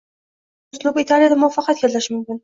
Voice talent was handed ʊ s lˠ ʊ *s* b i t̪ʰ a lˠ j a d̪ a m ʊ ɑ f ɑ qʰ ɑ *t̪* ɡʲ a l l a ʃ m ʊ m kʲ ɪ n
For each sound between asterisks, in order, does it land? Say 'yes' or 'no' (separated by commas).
no, yes